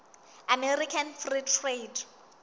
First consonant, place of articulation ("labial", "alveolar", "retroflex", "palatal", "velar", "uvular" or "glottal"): labial